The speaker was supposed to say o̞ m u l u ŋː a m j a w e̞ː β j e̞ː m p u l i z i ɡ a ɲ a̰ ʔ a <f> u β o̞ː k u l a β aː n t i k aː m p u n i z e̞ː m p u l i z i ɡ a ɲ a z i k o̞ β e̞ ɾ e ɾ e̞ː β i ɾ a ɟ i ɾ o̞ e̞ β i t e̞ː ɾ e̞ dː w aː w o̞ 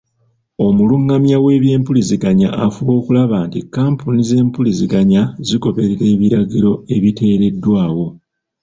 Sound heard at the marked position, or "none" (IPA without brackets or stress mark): f